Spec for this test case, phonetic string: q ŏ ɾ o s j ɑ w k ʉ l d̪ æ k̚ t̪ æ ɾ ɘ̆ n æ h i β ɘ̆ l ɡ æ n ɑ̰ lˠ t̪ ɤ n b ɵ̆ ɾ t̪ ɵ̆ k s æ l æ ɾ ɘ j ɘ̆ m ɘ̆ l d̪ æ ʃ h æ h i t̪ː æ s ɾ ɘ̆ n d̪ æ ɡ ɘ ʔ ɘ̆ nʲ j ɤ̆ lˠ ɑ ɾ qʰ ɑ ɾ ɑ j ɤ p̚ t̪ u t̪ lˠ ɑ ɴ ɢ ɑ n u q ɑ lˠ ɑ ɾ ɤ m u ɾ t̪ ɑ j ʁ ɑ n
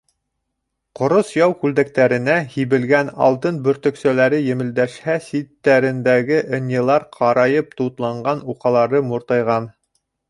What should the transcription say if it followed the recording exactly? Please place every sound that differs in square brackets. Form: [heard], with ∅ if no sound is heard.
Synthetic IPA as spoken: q ŏ ɾ o s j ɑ w k ʉ l d̪ æ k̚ t̪ æ ɾ ɘ̆ n æ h i β ɘ̆ l ɡ æ n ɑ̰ lˠ t̪ ɤ n b ɵ̆ ɾ t̪ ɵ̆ k s æ l æ ɾ ɘ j ɘ̆ m ɘ̆ l d̪ æ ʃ h æ [s] i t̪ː æ [∅] ɾ ɘ̆ n d̪ æ ɡ ɘ ʔ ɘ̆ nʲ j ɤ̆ lˠ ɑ ɾ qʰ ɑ ɾ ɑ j ɤ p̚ t̪ u t̪ lˠ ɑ ɴ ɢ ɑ n u q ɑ lˠ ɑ ɾ ɤ m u ɾ t̪ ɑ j ʁ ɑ n

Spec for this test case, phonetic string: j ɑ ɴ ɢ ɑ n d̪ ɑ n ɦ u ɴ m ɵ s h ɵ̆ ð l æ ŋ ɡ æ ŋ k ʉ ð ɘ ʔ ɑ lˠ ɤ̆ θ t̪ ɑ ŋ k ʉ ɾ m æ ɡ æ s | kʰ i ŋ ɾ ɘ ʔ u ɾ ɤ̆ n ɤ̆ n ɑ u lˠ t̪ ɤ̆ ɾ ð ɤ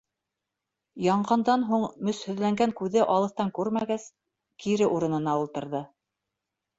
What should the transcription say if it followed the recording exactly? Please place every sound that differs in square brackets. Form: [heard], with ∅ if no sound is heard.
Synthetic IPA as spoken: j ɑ ɴ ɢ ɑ n d̪ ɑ n ɦ u ɴ m ɵ s h ɵ̆ ð l æ ŋ ɡ æ ŋ k ʉ ð ɘ ʔ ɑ lˠ ɤ̆ θ t̪ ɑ ŋ k ʉ ɾ m æ ɡ æ s | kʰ i [∅] ɾ ɘ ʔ u ɾ ɤ̆ n ɤ̆ n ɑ u lˠ t̪ ɤ̆ ɾ ð ɤ

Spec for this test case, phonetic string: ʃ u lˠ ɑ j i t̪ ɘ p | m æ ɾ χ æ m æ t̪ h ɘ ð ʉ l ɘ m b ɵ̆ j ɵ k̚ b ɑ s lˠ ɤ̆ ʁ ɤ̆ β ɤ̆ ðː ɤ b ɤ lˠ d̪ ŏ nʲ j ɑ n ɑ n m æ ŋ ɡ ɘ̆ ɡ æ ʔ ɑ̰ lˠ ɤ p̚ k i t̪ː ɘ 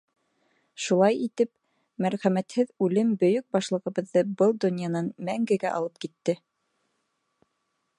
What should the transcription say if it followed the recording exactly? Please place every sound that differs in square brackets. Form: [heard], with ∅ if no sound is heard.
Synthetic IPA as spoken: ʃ u lˠ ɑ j i t̪ ɘ p | m æ ɾ χ æ m æ t̪ h ɘ ð ʉ l ɘ m b ɵ̆ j ɵ k̚ b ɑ [ʃ] lˠ ɤ̆ ʁ ɤ̆ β ɤ̆ ðː ɤ b ɤ lˠ d̪ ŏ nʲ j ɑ n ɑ n m æ ŋ ɡ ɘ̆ ɡ æ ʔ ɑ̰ lˠ ɤ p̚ k i t̪ː ɘ

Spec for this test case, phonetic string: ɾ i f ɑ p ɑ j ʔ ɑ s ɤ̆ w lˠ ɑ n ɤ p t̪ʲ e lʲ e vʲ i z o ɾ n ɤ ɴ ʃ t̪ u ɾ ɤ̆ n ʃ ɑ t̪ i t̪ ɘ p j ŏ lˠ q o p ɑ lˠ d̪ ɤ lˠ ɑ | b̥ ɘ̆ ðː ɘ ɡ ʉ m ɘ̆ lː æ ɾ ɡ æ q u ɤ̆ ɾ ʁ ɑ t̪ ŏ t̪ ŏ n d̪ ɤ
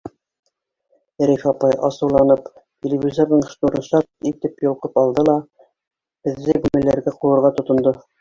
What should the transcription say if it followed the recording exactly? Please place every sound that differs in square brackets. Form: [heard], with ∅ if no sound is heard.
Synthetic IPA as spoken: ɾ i f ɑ p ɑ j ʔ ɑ s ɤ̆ w lˠ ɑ n ɤ p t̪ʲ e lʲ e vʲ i z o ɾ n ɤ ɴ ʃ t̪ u ɾ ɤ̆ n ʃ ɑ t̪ i t̪ ɘ p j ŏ lˠ q [ɤ] p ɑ lˠ d̪ ɤ lˠ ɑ | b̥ ɘ̆ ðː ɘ ɡ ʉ m ɘ̆ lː æ ɾ ɡ æ q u ɤ̆ ɾ ʁ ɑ t̪ ŏ t̪ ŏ n d̪ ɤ

